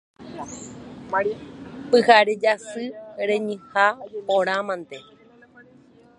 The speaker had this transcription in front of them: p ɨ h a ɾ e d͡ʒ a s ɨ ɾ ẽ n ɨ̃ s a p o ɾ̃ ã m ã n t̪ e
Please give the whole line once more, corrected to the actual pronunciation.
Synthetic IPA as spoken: p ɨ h a ɾ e d͡ʒ a s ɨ ɾ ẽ ɲ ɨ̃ h a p o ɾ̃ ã m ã n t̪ e